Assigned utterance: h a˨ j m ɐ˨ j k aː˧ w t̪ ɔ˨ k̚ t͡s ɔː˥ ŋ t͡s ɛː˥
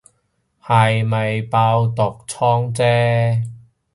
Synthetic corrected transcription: h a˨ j m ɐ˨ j p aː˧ w t̪ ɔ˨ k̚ t͡sʰ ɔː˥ ŋ t͡s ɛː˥

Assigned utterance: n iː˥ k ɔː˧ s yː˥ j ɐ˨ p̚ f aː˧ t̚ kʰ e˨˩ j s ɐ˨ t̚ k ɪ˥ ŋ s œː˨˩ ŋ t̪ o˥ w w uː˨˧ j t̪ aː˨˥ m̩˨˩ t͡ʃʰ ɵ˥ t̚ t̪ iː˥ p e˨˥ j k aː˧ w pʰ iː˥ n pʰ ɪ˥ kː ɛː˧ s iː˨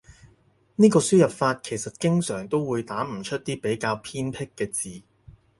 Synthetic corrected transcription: n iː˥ k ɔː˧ s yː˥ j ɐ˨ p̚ f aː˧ t̚ kʰ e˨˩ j s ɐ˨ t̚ k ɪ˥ ŋ s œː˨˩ ŋ t̪ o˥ w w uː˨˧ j t̪ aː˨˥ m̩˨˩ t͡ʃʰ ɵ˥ t̚ t̪ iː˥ p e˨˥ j k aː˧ w pʰ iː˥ n pʰ ɪ˥ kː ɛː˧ t͡s iː˨

